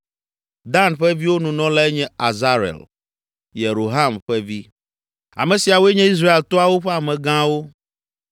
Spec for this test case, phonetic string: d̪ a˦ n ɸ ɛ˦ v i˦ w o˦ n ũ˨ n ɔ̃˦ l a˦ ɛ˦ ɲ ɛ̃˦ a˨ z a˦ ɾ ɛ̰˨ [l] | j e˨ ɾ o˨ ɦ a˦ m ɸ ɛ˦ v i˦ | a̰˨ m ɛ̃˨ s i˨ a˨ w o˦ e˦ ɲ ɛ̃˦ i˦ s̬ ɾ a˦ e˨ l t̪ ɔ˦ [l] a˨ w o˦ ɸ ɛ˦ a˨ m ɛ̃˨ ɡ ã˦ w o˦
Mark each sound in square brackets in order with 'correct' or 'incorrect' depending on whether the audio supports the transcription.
correct, incorrect

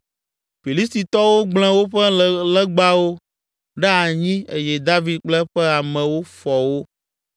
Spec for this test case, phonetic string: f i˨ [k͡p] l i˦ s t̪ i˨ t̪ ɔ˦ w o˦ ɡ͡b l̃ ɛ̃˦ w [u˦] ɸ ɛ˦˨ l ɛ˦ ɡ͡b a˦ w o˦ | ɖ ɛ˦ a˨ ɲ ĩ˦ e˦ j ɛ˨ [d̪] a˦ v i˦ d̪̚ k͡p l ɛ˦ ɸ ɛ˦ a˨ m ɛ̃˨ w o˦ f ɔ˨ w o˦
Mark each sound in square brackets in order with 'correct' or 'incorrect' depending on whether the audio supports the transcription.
incorrect, incorrect, correct

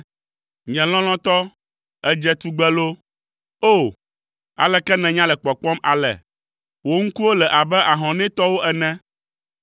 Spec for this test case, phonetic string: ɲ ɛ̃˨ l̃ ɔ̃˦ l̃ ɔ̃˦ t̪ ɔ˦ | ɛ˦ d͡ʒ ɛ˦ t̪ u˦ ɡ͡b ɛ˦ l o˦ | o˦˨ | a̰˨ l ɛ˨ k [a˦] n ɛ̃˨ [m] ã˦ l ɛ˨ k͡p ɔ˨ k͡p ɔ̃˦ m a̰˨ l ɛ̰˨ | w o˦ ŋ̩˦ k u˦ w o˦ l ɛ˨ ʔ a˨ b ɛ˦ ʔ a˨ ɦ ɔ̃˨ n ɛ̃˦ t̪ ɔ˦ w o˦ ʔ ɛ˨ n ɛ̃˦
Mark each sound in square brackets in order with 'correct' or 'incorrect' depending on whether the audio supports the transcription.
incorrect, incorrect

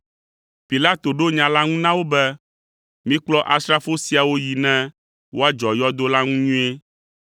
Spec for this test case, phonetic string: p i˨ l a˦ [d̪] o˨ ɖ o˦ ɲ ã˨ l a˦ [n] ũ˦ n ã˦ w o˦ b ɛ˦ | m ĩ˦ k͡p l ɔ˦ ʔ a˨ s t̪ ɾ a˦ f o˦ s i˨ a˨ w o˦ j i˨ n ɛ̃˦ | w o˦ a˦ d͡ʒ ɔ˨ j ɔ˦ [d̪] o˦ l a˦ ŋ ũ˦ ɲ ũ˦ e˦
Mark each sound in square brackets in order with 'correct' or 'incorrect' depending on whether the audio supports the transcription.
incorrect, incorrect, correct

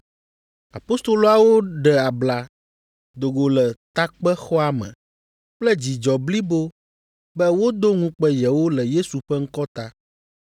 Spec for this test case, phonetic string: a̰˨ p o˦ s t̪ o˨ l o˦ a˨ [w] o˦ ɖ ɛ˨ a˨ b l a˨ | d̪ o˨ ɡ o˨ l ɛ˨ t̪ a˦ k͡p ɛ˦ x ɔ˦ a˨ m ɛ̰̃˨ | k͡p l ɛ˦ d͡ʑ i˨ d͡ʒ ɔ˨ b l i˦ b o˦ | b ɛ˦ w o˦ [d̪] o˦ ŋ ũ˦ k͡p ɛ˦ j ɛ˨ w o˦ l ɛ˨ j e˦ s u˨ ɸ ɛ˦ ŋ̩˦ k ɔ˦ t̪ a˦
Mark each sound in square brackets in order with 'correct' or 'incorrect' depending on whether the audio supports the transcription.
correct, correct

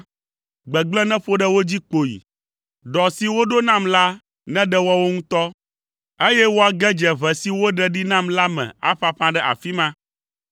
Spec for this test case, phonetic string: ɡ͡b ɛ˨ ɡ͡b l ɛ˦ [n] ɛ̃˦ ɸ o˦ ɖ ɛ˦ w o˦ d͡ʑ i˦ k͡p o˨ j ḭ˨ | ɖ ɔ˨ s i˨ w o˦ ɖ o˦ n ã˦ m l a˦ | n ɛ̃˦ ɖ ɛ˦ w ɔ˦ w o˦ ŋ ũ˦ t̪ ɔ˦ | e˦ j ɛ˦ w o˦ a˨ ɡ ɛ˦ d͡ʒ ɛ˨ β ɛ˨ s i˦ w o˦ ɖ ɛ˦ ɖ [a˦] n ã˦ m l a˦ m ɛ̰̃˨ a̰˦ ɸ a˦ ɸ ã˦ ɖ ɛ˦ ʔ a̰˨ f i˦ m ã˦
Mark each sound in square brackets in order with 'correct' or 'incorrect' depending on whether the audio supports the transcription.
correct, incorrect

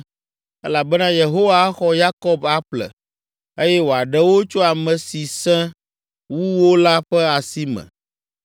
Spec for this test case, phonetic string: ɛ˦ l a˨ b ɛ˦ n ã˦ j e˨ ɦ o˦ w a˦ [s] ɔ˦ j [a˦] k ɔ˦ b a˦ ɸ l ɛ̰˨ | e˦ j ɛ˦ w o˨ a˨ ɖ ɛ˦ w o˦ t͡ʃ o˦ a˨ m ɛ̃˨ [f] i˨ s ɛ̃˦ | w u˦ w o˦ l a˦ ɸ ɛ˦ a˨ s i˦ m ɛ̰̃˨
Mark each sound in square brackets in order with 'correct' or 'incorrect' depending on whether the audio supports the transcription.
incorrect, correct, incorrect

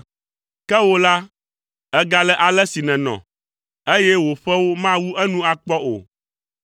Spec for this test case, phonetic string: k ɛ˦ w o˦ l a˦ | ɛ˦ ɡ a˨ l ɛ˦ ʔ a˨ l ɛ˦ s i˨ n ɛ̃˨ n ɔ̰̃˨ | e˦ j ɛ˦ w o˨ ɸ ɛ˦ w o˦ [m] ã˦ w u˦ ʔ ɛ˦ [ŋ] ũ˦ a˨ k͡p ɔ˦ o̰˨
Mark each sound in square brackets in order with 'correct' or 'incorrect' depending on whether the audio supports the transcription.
correct, incorrect

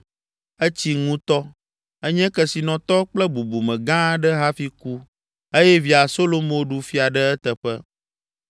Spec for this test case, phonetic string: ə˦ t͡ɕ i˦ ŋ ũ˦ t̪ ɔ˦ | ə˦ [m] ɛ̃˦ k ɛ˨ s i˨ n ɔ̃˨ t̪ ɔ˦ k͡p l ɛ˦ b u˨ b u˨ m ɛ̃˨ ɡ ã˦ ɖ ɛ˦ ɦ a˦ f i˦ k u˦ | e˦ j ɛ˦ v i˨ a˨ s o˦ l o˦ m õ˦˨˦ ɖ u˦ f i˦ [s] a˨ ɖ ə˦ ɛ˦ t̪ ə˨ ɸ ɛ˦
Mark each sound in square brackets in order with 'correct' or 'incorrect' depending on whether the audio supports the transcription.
incorrect, incorrect

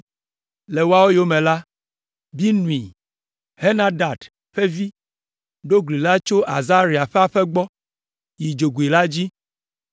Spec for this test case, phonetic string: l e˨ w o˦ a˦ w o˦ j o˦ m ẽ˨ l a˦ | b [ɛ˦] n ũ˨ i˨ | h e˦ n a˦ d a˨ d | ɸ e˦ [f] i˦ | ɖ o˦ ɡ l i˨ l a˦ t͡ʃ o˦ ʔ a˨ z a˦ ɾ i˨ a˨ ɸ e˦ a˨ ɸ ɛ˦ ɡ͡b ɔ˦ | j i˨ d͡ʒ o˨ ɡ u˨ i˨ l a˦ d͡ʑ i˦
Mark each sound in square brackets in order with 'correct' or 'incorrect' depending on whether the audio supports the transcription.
incorrect, incorrect

